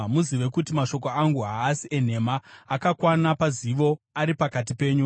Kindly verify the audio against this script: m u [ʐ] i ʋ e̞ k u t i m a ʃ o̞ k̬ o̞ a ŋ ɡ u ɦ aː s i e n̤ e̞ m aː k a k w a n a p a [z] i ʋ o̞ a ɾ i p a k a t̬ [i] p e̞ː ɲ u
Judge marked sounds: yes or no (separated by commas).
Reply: no, yes, yes